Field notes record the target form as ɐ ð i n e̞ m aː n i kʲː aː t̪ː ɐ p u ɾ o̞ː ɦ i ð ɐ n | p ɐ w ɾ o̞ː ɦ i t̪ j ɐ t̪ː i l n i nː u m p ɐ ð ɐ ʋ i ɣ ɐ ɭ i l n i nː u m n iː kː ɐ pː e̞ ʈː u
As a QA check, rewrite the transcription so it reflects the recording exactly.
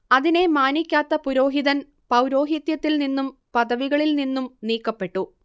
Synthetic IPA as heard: ɐ ð i n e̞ m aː n i kʲː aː t̪ː ɐ p u ɾ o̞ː ɦ i ð ɐ n | p ɐ w ɾ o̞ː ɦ i t̪ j ɐ t̪ː i l n i nː u m p ɐ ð ɐ ʋ i ɣ ɐ ɭ i l n i nː u m n iː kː ɐ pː e̞ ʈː u

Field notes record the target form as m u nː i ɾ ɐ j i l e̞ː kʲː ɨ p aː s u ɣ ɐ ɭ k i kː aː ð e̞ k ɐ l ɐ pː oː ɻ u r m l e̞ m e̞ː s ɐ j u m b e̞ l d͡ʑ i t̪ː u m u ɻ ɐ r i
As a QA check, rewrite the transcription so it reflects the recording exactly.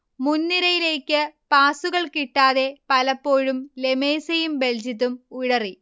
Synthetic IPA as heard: m u nː i ɾ ɐ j i l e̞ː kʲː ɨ p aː s u ɣ ɐ ɭ k i ʈː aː ð e̞ p ɐ l ɐ pː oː ɻ u m l e̞ m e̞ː s ɐ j u m b e̞ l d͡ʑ i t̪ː u m u ɻ ɐ r i

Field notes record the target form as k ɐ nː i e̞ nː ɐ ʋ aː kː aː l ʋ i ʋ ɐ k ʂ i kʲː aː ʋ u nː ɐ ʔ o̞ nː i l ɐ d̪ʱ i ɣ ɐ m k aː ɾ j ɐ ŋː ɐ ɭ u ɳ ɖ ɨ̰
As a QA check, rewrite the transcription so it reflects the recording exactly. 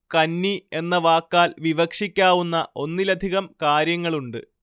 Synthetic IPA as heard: k ɐ nː i e̞ nː ɐ ʋ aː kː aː l ʋ i ʋ ɐ k ʂ i kʲː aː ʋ u nː ɐ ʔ o̞ nː i l ɐ d̪ʱ i ɣ ɐ m k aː ɾ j ɐ ŋː ɐ ɭ u ɳ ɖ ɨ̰

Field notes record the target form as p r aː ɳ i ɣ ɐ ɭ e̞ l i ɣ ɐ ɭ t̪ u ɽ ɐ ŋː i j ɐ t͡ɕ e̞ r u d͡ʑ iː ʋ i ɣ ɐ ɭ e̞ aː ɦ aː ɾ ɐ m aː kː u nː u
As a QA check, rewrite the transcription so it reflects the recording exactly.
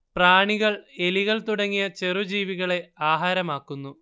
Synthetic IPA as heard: p r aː ɳ i ɣ ɐ ɭ e̞ l i ɣ ɐ ɭ t̪ u ɽ ɐ ŋː i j ɐ t͡ɕ e̞ r u d͡ʑ iː ʋ i ɣ ɐ ɭ e̞ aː ɦ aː ɾ ɐ m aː kː u nː u

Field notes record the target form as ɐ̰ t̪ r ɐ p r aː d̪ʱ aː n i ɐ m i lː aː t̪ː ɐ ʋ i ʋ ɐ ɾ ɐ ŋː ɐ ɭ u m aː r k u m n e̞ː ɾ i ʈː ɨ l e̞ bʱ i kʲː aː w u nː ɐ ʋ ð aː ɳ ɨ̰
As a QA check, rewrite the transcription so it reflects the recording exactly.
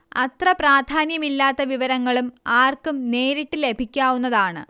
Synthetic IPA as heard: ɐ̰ t̪ r ɐ p r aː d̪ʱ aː n j ɐ m i lː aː t̪ː ɐ ʋ i ʋ ɐ ɾ ɐ ŋː ɐ ɭ u m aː r k u m n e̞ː ɾ i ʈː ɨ l e̞ bʱ i kʲː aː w u nː ɐ ð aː ɳ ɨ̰

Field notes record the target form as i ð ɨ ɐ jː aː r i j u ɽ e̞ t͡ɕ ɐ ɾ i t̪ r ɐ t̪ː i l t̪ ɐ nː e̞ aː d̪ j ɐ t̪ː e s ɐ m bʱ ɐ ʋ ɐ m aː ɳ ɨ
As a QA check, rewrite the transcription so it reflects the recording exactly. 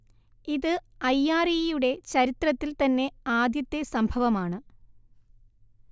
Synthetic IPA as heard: i ð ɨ ɐ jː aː r i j u ɽ e̞ t͡ɕ ɐ ɾ i t̪ r ɐ t̪ː i l t̪ ɐ nː e̞ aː d̪ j ɐ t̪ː e s ɐ m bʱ ɐ ʋ ɐ m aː ɳ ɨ

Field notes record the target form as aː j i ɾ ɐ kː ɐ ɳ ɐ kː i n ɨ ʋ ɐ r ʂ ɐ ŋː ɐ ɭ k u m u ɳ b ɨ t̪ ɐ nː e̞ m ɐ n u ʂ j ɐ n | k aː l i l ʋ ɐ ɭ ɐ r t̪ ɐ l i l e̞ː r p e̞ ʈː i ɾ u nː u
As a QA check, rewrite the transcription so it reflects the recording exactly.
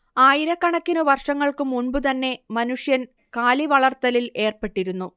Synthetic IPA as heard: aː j i ɾ ɐ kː ɐ ɳ ɐ kː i n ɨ ʋ ɐ r ʂ ɐ ŋː ɐ ɭ k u m u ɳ b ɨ t̪ ɐ nː e̞ m ɐ n u ʂ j ɐ n | k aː l i ʋ ɐ ɭ ɐ r t̪ ɐ l i l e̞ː r p e̞ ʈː i ɾ u nː u

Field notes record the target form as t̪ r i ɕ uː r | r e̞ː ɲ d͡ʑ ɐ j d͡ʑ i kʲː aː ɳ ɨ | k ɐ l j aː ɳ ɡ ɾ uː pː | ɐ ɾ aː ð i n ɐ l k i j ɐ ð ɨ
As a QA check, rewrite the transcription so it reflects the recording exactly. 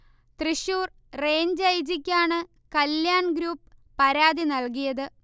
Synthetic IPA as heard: t̪ r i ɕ uː r | r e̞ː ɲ d͡ʑ ɐ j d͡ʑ i kʲː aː ɳ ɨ | k ɐ l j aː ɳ ɡ ɾ uː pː | ɐ ɾ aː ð i n ɐ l k i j ɐ ð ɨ

